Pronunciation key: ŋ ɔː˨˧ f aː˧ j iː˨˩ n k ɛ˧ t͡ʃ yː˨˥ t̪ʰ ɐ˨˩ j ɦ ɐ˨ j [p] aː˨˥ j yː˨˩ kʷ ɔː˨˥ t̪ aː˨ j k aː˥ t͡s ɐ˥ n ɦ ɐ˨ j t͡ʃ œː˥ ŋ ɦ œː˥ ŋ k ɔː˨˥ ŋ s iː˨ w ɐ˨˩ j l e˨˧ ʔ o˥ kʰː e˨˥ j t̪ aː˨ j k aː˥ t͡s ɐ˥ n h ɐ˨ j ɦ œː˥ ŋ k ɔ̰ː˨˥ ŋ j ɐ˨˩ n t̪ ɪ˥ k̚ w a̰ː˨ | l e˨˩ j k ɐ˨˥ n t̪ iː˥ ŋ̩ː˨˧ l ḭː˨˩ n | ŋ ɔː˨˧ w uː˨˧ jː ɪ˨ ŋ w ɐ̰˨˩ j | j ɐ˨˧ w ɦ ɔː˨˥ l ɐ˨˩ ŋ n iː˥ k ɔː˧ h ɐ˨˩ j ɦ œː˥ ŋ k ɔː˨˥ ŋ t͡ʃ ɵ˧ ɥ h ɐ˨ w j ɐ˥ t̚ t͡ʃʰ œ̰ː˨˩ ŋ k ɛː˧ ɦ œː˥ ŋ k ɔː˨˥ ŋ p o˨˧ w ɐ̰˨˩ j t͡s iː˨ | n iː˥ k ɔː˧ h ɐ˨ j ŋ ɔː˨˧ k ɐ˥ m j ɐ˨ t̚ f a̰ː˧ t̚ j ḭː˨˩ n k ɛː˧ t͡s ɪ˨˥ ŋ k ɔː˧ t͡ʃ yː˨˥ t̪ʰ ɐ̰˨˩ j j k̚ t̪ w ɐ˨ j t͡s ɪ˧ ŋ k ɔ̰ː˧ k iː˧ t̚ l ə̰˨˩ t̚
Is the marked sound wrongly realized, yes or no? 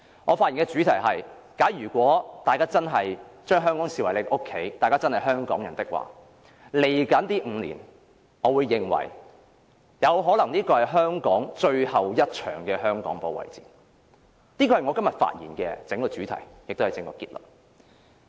yes